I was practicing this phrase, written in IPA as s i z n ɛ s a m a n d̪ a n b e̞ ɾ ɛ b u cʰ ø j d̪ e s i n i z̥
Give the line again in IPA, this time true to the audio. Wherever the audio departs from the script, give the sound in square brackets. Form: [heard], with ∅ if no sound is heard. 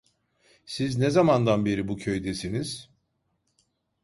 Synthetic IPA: s i z n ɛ [z] a m a n d̪ a n b e̞ ɾ [i] b u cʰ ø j d̪ e s i n i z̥